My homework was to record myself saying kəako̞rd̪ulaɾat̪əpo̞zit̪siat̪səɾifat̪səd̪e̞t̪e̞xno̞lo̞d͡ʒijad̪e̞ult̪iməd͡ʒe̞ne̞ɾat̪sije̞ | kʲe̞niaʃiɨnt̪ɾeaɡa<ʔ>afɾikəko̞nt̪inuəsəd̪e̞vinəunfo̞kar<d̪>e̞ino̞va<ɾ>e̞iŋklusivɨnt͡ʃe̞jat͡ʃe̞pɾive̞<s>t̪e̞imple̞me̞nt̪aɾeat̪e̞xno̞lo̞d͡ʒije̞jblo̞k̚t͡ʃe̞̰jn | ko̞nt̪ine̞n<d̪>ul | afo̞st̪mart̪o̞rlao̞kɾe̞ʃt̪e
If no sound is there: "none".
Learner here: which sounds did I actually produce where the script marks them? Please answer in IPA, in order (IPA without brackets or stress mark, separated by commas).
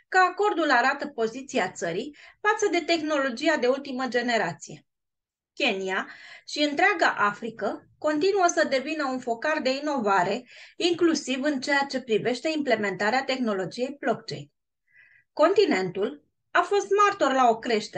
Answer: ʔ, d̪, ɾ, ʃ, t̪